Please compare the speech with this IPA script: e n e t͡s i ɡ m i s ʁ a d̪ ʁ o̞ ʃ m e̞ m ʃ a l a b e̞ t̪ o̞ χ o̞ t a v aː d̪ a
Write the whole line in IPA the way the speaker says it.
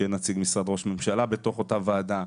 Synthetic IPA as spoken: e n a t͡s i ɡ m i s ʁ a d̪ ʁ o̞ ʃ m e̞ m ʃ a l a b e̞ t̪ o̞ χ o̞ t a v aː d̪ a